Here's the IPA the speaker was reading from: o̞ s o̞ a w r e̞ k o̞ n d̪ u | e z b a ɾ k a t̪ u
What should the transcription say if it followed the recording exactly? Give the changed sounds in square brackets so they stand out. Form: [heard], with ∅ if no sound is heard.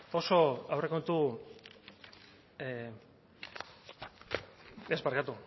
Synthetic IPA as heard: o̞ s o̞ a w r e̞ k o̞ n [t̪] u | e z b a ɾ k a t̪ u

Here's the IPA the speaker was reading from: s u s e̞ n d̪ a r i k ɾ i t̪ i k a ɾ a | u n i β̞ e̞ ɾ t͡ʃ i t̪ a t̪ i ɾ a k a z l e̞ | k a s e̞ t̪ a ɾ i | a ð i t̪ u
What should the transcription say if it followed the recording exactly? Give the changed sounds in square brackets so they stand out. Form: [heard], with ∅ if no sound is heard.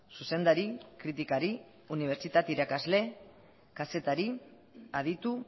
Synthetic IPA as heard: s u s e̞ n d̪ a [ɾ] i k ɾ i t̪ i k a ɾ [i] | u n i β̞ e̞ ɾ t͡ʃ i t̪ a t̪ i ɾ a k a z l e̞ | k a s e̞ t̪ a ɾ i | a ð i t̪ u

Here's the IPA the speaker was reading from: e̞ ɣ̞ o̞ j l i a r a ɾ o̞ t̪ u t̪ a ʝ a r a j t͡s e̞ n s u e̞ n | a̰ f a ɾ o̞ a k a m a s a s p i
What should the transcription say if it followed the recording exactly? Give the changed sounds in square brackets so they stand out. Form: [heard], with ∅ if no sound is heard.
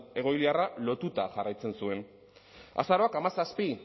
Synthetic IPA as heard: e̞ ɣ̞ o̞ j l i a r a [l] o̞ t̪ u t̪ a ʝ a r a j t͡s e̞ n s u e̞ n | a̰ [s] a ɾ o̞ a k a m a s a s p i

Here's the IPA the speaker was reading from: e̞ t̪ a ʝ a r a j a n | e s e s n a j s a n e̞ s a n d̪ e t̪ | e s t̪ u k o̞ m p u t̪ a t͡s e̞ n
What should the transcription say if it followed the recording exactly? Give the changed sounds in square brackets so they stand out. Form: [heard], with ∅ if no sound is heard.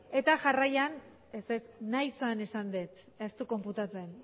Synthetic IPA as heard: e̞ t̪ a ʝ a r a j a n | e s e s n a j s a n e̞ s a n d̪ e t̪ | e s t̪ u k o̞ m p u t̪ a t͡s e̞ n

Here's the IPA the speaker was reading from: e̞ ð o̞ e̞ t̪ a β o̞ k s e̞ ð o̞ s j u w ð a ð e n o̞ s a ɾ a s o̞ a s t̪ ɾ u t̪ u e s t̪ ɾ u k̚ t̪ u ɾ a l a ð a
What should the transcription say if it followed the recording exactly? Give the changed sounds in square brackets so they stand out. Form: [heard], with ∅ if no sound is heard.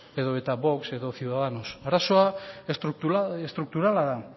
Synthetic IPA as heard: e̞ ð o̞ e̞ t̪ a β o̞ k s e̞ ð o̞ [θ] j u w ð a ð [a] n o̞ s a ɾ a s o̞ a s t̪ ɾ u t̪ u e s t̪ ɾ u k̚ t̪ u ɾ a l a ð a

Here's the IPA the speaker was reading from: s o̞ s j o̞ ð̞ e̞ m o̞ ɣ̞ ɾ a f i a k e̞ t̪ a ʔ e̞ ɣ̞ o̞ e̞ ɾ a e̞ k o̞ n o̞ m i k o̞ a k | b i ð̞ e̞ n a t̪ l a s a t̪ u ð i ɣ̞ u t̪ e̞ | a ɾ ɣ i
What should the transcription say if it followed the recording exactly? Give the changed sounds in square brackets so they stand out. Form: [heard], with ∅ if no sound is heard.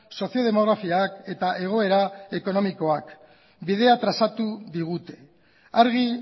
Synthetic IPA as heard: s o̞ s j o̞ ð̞ e̞ m o̞ ɣ̞ ɾ a f i a k e̞ t̪ a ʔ e̞ ɣ̞ o̞ e̞ ɾ a e̞ k o̞ n o̞ m i k o̞ a k | b i ð̞ e̞ [∅] a t̪ [ɾ] a s a t̪ u ð i ɣ̞ u t̪ e̞ | a ɾ ɣ i

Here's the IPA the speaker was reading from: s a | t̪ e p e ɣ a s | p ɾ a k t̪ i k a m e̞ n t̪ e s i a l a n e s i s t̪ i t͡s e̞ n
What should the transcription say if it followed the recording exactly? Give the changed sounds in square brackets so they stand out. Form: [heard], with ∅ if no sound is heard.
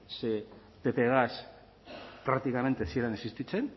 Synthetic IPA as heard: s [e] | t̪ e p e ɣ a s | p ɾ a k t̪ i k a m e̞ n t̪ e s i [e] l a n e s i s t̪ i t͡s e̞ n

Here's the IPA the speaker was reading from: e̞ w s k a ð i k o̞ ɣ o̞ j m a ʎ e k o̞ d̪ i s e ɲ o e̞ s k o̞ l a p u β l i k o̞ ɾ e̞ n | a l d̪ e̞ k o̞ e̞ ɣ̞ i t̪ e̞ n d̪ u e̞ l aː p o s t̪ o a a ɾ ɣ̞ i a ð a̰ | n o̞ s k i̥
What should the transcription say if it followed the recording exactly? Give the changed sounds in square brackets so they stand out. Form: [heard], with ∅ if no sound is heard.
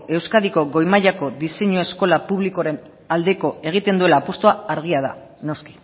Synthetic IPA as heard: e̞ w s k a ð i k o̞ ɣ o̞ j m a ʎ [a] k o̞ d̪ i s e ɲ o e̞ s k o̞ l a p u β l i k o̞ ɾ e̞ n | a l d̪ e̞ k o̞ e̞ ɣ̞ i t̪ e̞ n d̪ u e̞ l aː p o s t̪ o a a ɾ ɣ̞ i a ð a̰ | n o̞ s k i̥

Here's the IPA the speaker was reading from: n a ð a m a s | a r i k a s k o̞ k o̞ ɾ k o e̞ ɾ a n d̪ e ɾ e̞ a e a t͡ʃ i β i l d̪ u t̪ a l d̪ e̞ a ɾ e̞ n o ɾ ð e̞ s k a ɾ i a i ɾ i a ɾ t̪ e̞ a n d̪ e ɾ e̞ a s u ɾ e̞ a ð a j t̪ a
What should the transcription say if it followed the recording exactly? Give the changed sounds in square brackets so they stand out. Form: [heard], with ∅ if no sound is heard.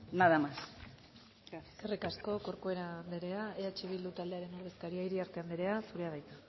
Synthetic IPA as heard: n a ð a m a s | [e] r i k a s k o̞ k o̞ ɾ k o e̞ ɾ a n d̪ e ɾ e̞ a e a t͡ʃ i β i l d̪ u t̪ a l d̪ e̞ a ɾ e̞ n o ɾ ð e̞ s k a ɾ i a i ɾ i a ɾ t̪ e̞ a n d̪ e ɾ e̞ a s u ɾ e̞ a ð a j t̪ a

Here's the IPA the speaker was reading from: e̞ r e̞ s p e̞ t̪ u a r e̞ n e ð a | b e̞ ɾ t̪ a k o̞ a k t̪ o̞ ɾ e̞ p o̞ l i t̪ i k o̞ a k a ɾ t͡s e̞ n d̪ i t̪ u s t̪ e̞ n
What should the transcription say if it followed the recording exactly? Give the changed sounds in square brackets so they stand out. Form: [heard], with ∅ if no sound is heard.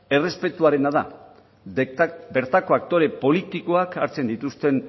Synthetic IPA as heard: e̞ r e̞ s p e̞ t̪ u a [ɾ] e̞ n [a] ð a | b e̞ ɾ t̪ a k o̞ a k t̪ o̞ ɾ e̞ p o̞ l i t̪ i k o̞ a k a ɾ t͡s e̞ n d̪ i t̪ u s t̪ e̞ n

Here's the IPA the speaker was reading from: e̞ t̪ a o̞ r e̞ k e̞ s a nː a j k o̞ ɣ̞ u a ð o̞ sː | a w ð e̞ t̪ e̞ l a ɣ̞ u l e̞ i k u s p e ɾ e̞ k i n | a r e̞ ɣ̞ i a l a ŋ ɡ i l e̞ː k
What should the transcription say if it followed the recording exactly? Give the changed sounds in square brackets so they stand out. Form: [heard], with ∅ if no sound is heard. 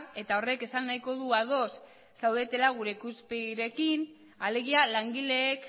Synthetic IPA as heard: e̞ t̪ a o̞ r e̞ k e̞ s a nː a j k o̞ [ð̞] u a ð o̞ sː | a w ð e̞ t̪ e̞ l a ɣ̞ u [ɾ] e̞ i k u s p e ɾ e̞ k i n | a [l] e̞ ɣ̞ i a l a ŋ ɡ i l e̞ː k

